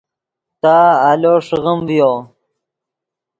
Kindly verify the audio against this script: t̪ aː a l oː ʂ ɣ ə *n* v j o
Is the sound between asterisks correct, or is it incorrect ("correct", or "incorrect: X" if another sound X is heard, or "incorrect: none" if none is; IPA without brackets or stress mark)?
incorrect: m